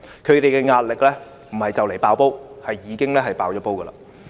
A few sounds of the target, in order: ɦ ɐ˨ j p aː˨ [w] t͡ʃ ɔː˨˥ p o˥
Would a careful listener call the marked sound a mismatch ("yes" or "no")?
no